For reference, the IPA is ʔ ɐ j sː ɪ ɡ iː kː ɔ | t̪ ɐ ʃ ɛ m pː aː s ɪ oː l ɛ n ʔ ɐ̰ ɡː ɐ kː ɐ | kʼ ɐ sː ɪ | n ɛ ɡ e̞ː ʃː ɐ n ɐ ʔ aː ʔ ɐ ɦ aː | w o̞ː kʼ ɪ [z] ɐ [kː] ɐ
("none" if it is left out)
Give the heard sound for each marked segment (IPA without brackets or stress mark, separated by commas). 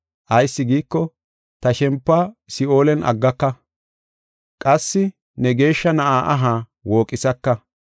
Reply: s, kː